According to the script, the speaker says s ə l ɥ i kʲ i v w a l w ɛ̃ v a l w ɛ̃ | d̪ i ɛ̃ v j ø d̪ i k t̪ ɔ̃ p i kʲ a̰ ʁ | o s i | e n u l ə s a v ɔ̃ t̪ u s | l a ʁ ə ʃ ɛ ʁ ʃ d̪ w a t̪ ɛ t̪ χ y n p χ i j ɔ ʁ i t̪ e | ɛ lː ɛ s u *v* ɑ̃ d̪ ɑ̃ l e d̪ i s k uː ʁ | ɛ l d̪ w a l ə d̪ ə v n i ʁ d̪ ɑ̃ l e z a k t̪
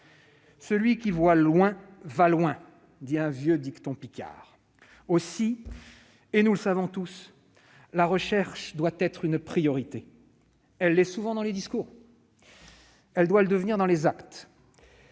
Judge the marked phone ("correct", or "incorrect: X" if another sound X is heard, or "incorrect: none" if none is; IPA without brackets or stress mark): correct